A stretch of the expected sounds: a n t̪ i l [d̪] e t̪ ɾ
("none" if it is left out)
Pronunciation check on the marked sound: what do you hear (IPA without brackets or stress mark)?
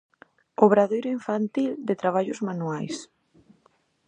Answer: d̪